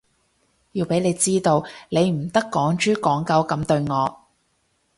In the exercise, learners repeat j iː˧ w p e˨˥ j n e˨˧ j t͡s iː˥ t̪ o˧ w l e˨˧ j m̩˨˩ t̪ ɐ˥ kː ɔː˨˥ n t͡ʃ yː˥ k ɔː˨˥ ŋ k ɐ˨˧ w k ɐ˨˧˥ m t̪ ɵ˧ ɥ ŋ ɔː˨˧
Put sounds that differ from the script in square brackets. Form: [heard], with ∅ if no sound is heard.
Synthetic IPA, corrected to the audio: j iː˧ w p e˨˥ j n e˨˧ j t͡s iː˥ t̪ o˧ w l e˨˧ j m̩˨˩ t̪ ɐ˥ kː ɔː˨˥ [ŋ] t͡ʃ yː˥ k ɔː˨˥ ŋ k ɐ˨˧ w k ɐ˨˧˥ m t̪ ɵ˧ ɥ ŋ ɔː˨˧